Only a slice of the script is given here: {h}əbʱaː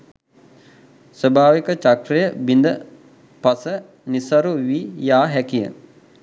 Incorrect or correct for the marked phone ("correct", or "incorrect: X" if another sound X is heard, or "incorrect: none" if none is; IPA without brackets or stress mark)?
incorrect: s